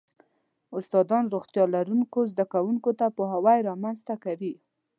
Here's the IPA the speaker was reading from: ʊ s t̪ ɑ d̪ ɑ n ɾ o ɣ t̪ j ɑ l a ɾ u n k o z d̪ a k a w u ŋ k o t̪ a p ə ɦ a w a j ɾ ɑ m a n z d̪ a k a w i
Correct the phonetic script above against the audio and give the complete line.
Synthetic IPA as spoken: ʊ s t̪ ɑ d̪ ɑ n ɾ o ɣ t̪ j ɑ l a ɾ u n k o z d̪ a k a w u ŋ k o t̪ a p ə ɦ a w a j ɾ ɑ m a n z t̪ a k a w i